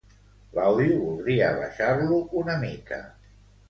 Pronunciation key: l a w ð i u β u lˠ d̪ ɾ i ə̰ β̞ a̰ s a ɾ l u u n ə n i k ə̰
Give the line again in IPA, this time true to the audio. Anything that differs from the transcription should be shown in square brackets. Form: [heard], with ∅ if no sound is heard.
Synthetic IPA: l a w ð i u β u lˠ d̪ ɾ i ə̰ β̞ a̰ [ʃ] a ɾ l u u n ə [m] i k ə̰